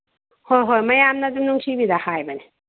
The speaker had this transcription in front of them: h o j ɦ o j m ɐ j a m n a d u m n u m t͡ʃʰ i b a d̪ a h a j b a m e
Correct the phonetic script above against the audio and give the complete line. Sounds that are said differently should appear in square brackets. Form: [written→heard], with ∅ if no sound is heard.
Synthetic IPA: h o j ɦ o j m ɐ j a m n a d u m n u [m→ŋ] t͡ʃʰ i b [a→i] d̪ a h a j b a [m→n] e

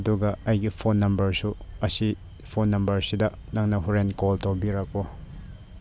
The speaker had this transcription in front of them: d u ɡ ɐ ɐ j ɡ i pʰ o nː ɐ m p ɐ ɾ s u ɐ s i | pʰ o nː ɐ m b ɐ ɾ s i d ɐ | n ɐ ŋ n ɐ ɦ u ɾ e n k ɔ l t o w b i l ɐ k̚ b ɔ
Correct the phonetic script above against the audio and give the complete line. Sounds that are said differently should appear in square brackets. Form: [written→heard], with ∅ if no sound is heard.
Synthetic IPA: d u ɡ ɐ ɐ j ɡ i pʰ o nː ɐ m [p→b] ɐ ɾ s u ɐ s i | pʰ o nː ɐ m b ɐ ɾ s i d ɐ | n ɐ ŋ n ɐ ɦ u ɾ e n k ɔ l t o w b i [l→ɾ] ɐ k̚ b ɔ

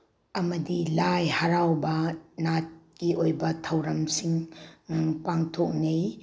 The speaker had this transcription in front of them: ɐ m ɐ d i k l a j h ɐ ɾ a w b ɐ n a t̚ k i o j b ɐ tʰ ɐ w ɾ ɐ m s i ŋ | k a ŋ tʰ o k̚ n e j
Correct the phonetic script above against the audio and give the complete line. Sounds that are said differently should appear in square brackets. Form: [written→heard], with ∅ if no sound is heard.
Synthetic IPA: ɐ m ɐ d i [k→∅] l a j h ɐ ɾ a w b ɐ n a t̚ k i o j b ɐ tʰ ɐ w ɾ ɐ m s i ŋ | [k→p] a ŋ tʰ o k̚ n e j

